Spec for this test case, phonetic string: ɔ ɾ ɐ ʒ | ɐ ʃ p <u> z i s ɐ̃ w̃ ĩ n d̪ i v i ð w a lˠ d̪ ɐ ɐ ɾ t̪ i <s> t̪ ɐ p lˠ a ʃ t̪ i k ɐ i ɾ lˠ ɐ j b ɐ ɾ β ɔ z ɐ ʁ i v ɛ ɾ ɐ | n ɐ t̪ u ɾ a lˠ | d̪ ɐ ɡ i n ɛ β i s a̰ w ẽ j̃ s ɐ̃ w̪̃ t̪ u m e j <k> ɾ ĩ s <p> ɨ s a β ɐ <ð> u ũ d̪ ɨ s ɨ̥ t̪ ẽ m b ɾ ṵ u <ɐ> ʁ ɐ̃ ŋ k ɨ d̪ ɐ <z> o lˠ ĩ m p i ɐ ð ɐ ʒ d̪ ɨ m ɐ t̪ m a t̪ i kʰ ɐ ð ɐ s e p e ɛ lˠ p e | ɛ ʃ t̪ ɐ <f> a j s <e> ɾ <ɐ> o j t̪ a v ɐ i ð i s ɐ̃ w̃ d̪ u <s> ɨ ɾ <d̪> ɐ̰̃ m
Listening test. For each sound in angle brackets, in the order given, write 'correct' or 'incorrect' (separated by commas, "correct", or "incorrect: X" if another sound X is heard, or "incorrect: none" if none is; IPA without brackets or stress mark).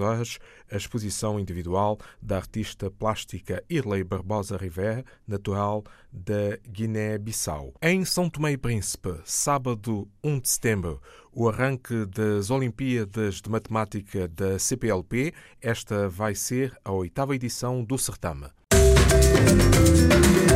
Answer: correct, incorrect: ʃ, incorrect: p, correct, correct, correct, correct, incorrect: v, correct, correct, correct, incorrect: t̪